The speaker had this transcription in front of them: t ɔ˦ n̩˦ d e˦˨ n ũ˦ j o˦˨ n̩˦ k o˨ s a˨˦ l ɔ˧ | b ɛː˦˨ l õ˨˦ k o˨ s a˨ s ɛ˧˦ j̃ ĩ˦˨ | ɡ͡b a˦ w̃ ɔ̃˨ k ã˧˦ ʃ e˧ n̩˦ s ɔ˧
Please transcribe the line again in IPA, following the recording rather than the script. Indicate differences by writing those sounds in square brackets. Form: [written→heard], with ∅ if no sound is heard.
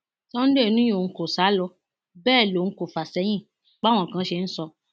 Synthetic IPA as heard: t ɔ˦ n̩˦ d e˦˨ n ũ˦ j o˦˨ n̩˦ k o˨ s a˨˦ l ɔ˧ | b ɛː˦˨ l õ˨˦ k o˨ [s→f] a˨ s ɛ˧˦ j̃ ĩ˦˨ | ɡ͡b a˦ w̃ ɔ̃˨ k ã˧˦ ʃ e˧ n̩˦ s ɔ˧